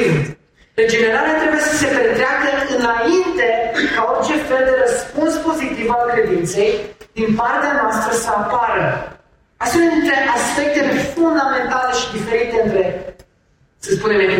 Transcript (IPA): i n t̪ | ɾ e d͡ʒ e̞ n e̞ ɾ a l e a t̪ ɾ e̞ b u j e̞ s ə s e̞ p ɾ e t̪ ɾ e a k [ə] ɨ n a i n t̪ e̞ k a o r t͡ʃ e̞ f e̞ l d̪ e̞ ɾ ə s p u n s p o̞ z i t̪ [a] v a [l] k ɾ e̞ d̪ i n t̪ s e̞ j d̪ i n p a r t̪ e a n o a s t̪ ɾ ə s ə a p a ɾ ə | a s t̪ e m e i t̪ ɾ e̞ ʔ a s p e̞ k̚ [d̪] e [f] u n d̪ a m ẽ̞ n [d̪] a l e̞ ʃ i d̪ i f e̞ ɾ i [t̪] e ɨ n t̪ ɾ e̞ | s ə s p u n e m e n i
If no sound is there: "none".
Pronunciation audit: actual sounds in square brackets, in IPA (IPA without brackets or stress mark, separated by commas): ə, i, l, t̪, f, t̪, t̪